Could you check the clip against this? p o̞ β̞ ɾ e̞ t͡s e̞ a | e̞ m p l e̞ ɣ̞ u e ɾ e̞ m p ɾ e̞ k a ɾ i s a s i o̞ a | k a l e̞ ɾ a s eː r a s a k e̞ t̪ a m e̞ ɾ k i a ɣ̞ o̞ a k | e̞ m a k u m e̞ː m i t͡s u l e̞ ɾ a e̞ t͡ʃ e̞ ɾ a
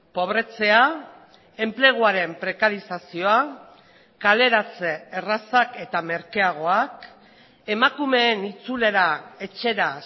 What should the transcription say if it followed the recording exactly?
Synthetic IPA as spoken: p o̞ β̞ ɾ e̞ t͡s e̞ a | e̞ m p l e̞ ɣ̞ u a ɾ e̞ m p ɾ e̞ k a ɾ i s a s i o̞ a | k a l e̞ ɾ a t͡s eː r a s a k e̞ t̪ a m e̞ ɾ k e a ɣ̞ o̞ a k | e̞ m a k u m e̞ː n i t͡s u l e̞ ɾ a e̞ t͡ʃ e̞ ɾ a

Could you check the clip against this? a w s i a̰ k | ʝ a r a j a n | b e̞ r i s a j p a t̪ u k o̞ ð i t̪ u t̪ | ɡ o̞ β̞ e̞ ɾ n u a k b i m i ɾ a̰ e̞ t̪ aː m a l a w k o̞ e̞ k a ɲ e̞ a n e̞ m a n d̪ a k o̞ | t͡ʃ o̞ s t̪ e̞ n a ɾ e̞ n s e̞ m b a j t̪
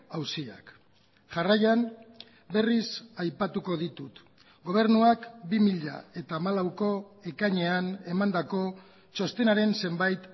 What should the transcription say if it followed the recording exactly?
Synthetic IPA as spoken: a w s i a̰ k | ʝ a r a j a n | b e̞ r i s a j p a t̪ u k o̞ ð i t̪ u t̪ | ɡ o̞ β̞ e̞ ɾ n u a k b i m i ʎ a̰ e̞ t̪ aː m a l a w k o̞ e̞ k a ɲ e̞ a n e̞ m a n d̪ a k o̞ | t͡ʃ o̞ s t̪ e̞ n a ɾ e̞ n s e̞ m b a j t̪

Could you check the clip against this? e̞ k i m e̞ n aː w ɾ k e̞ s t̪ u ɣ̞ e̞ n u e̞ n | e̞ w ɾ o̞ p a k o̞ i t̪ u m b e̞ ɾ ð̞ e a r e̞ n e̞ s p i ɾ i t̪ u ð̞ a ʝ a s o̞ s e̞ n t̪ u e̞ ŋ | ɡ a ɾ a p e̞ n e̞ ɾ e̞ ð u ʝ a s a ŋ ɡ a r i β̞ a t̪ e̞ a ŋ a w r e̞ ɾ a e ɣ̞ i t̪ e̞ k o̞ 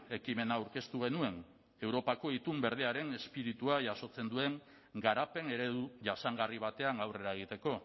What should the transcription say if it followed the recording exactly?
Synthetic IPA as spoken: e̞ k i m e̞ n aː w ɾ k e̞ s t̪ u ɣ̞ e̞ n u e̞ n | e̞ w ɾ o̞ p a k o̞ i t̪ u m b e̞ ɾ ð̞ e a ɾ e̞ n e̞ s p i ɾ i t̪ u a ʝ a s o̞ t͡s e̞ n d̪ u e̞ ŋ | ɡ a ɾ a p e̞ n e̞ ɾ e̞ ð u ʝ a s a ŋ ɡ a r i β̞ a t̪ e̞ a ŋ a w r e̞ ɾ a e ɣ̞ i t̪ e̞ k o̞

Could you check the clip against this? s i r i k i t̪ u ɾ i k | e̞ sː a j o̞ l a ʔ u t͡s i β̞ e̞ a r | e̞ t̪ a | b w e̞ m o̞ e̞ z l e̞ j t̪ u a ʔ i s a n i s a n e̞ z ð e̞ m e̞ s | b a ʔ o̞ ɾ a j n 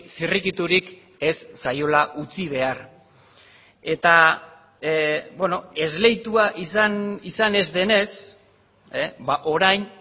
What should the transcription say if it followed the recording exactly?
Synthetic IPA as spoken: s i r i k i t̪ u ɾ i k | e̞ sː a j o̞ l a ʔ u t͡s i β̞ e̞ a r | e̞ t̪ a | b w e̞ n o̞ e̞ z l e̞ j t̪ u a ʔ i s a n i s a n e̞ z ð e̞ n e̞ s | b a ʔ o̞ ɾ a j n

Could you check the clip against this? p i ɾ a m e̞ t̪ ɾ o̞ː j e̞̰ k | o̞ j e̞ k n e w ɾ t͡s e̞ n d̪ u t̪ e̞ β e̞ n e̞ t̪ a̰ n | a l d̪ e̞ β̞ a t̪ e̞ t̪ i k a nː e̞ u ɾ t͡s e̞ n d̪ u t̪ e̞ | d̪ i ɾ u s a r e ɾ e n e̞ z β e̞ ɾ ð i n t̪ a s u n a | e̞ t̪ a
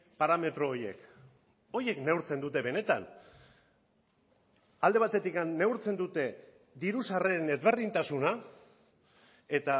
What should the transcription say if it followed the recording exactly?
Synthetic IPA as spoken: p a ɾ a m e̞ t̪ ɾ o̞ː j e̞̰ k | o̞ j e̞ k n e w ɾ t͡s e̞ n d̪ u t̪ e̞ β e̞ n e̞ t̪ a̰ n | a l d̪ e̞ β̞ a t̪ e̞ t̪ i k a nː e̞ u ɾ t͡s e̞ n d̪ u t̪ e̞ | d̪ i ɾ u s a r e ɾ e n e̞ z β e̞ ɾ ð i n t̪ a s u n a | e̞ t̪ a

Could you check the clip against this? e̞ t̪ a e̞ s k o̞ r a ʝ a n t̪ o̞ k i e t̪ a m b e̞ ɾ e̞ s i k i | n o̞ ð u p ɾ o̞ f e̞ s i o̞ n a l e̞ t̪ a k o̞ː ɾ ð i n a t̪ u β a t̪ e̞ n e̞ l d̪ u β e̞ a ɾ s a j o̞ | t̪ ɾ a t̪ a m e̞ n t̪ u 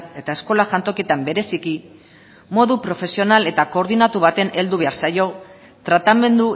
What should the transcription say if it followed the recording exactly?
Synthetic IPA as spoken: e̞ t̪ a e̞ s k o̞ l a ʝ a n t̪ o̞ k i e t̪ a m b e̞ ɾ e̞ s i k i | m o̞ ð u p ɾ o̞ f e̞ s i o̞ n a l e̞ t̪ a k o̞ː ɾ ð i n a t̪ u β a t̪ e̞ n e̞ l d̪ u β e̞ a ɾ s a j o̞ | t̪ ɾ a t̪ a m e̞ n d̪ u

